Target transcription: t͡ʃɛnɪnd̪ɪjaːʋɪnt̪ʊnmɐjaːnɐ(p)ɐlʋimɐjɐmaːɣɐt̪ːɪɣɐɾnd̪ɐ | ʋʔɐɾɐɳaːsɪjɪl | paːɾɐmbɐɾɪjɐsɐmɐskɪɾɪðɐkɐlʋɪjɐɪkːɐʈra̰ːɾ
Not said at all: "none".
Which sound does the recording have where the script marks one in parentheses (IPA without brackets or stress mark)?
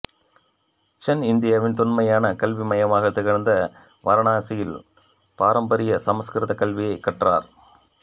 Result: k